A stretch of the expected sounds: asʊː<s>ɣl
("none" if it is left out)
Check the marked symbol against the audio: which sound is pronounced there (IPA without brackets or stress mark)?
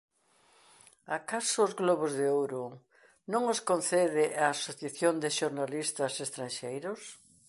z